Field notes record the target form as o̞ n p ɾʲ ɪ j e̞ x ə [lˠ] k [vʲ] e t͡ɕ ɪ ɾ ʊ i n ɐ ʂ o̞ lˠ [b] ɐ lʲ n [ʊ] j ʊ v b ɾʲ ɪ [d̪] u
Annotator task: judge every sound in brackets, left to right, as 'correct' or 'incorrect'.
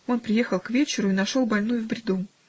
correct, correct, correct, incorrect: u, correct

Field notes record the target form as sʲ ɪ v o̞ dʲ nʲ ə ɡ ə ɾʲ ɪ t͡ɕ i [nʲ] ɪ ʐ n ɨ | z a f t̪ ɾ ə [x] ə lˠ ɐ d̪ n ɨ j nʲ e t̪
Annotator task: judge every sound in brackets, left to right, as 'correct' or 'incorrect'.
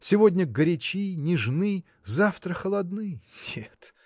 correct, correct

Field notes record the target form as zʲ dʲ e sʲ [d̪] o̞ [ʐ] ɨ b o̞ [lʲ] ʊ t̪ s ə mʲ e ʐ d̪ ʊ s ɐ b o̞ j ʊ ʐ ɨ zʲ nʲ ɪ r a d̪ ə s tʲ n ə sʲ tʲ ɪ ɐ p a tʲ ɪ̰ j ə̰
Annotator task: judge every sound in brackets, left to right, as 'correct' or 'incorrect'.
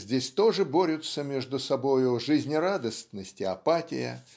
incorrect: t̪, correct, incorrect: ɾʲ

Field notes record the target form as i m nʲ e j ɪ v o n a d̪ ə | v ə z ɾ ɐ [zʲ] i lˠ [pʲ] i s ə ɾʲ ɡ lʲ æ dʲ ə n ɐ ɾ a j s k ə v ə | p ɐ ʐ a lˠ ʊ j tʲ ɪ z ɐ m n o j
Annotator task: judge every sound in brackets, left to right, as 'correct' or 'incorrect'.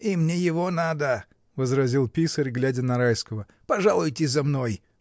correct, correct

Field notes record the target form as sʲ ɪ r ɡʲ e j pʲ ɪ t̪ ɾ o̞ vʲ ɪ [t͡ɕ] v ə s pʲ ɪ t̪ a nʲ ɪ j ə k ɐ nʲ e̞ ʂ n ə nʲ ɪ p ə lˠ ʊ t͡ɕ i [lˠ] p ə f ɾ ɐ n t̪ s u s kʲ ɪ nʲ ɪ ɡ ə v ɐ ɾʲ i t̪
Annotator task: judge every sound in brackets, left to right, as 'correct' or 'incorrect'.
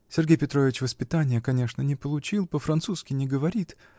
correct, correct

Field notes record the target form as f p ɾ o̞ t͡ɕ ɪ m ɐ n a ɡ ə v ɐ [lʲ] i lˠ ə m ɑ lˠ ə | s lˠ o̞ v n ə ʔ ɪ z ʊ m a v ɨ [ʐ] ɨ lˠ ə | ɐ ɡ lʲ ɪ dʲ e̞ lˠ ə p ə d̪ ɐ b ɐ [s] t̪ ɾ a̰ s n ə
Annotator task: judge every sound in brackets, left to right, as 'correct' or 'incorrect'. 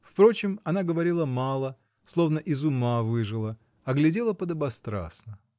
incorrect: ɾʲ, correct, correct

